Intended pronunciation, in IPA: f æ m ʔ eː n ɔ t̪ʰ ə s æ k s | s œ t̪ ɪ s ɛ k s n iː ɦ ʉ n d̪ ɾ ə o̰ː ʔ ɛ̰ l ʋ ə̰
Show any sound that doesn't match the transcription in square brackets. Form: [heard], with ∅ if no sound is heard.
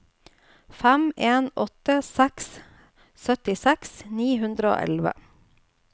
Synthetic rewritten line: f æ m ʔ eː n ɔ [t̪] ə s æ k s | s œ t̪ ɪ s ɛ k s n iː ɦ ʉ n d̪ ɾ ə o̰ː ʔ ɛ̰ l ʋ ə̰